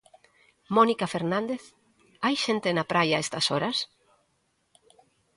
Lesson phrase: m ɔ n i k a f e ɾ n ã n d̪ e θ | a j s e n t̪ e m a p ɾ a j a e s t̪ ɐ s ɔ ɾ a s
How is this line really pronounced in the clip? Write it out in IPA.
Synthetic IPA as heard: m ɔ n i k a f e ɾ n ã n d̪ e θ | a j ʃ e n t̪ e n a p ɾ a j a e s t̪ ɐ s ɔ ɾ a s